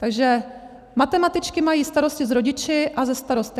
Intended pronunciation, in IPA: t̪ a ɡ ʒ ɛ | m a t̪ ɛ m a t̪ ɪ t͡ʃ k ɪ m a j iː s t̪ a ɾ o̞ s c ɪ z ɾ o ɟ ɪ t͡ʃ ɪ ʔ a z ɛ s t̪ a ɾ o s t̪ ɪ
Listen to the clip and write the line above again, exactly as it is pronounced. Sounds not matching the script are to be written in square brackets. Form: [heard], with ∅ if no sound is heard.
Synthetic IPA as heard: t̪ a ɡ ʒ ɛ | m a t̪ ɛ m a t̪ ɪ t͡ʃ k ɪ m a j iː s t̪ a ɾ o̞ s c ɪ z ɾ o ɟ ɪ t͡ʃ ɪ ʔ a z ɛ s t̪ a ɾ o s t̪ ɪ